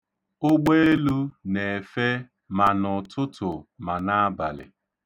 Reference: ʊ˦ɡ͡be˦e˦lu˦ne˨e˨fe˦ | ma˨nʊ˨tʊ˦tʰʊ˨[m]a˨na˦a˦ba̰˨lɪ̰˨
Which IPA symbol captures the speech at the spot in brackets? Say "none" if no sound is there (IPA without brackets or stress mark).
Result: m